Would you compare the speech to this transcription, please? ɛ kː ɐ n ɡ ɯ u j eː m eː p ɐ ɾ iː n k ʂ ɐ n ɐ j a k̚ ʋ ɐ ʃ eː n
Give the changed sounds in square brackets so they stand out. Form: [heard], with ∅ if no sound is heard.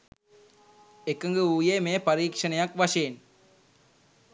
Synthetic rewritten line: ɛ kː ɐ [ŋ] ɡ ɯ u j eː m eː p ɐ ɾ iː [∅] k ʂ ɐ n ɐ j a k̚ ʋ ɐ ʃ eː n